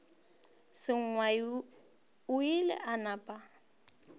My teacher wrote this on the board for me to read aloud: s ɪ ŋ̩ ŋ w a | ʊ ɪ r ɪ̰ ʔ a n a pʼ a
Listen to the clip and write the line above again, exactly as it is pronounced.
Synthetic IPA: s ɪ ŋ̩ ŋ w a | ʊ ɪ l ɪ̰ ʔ a n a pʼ a